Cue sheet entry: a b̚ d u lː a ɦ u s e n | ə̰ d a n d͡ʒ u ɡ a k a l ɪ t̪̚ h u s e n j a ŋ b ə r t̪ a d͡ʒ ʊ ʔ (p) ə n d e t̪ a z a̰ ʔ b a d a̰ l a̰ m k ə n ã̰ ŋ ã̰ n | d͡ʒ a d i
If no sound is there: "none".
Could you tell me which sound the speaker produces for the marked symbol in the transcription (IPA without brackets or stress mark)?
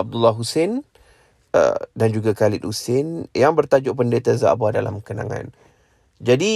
p